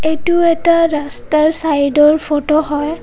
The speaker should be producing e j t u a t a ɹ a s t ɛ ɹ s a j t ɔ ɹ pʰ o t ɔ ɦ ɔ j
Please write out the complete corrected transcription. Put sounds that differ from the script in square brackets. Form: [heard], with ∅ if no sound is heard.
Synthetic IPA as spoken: e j t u [ɛ] t a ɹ a s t [a] ɹ s a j [d] ɔ ɹ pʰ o t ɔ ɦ ɔ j